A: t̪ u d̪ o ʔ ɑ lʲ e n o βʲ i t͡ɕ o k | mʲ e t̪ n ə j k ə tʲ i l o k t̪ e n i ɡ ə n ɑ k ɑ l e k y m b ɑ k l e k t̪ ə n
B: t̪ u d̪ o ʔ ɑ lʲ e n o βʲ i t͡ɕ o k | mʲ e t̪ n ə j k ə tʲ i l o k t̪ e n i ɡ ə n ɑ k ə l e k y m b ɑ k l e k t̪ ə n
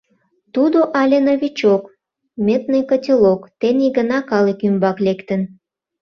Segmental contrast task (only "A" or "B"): A